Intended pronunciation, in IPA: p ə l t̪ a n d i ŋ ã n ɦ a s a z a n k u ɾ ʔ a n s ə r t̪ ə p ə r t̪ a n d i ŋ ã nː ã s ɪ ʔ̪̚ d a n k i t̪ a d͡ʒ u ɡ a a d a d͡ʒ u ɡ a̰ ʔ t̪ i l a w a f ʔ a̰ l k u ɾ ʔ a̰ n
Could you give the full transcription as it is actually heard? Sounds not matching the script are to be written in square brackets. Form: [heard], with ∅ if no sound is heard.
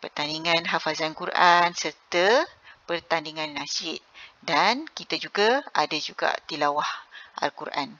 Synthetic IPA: p ə [r] t̪ a n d i ŋ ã n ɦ a [f] a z a n k u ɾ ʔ a n s ə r t̪ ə p ə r t̪ a n d i ŋ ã nː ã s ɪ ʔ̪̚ d a n k i t̪ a d͡ʒ u ɡ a a d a d͡ʒ u ɡ a̰ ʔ t̪ i l a w a [h] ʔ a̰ l k u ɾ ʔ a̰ n